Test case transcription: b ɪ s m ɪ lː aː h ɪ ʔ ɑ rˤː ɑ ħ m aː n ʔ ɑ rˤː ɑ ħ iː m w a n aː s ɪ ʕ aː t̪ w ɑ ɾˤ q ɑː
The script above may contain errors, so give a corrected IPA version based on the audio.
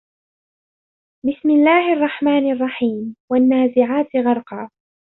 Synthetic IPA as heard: b ɪ s m ɪ lː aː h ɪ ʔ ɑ rˤː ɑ ħ m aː n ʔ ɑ rˤː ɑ ħ iː m w a nː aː z ɪ ʕ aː t̪ ɣ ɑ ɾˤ q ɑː